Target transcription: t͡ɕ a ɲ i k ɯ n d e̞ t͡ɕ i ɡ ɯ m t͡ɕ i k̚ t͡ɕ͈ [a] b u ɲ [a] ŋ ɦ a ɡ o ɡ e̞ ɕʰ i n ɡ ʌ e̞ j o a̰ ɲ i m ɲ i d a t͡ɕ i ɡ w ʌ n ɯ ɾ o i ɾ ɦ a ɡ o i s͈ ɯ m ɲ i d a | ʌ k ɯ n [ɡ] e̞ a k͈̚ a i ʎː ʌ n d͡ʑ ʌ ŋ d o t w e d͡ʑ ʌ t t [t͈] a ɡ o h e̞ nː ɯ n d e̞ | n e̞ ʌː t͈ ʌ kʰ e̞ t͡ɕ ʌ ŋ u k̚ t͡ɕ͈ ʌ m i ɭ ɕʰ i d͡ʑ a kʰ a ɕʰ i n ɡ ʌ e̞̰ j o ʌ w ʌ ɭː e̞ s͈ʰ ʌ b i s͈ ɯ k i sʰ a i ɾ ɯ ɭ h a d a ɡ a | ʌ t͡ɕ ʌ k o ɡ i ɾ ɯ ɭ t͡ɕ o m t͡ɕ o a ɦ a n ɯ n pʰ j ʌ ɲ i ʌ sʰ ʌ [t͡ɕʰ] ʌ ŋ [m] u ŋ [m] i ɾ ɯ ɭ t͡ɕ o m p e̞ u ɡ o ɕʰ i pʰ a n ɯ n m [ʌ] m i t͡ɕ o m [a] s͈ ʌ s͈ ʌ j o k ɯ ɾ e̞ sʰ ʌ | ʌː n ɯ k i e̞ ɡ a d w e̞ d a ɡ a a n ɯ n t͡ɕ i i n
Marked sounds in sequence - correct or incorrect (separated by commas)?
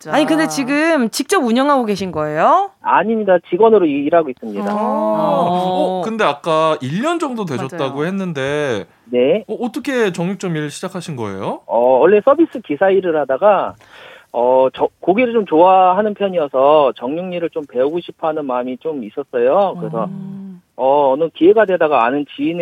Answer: incorrect, incorrect, incorrect, correct, incorrect, incorrect, incorrect, incorrect, incorrect